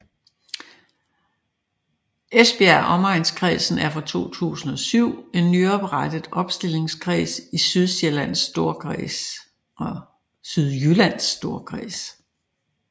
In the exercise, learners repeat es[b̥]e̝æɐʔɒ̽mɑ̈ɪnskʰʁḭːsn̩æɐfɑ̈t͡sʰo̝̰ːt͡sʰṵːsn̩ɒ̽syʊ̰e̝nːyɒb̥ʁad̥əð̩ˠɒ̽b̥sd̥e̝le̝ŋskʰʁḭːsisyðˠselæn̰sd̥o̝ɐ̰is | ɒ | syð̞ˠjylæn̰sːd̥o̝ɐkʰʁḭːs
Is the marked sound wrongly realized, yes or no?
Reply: no